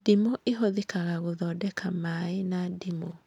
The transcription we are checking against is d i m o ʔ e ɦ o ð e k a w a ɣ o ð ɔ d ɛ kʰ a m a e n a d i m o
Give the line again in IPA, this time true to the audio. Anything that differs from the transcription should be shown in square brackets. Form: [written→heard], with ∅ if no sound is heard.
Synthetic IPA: d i m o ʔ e ɦ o ð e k a [w→ɣ] a ɣ o ð ɔ d ɛ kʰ a m a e n a d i m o